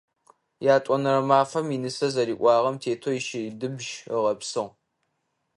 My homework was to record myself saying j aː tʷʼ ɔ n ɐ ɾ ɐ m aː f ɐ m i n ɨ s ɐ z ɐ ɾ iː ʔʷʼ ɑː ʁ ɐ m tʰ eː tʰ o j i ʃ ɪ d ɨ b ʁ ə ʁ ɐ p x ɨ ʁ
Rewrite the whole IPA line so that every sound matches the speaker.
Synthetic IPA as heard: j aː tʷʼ ɔ n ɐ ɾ ɐ m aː f ɐ m i n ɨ s ɐ z ɐ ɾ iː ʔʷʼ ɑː ʁ ɐ m tʰ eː tʰ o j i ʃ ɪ d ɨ b ʒ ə ʁ ɐ p s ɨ ʁ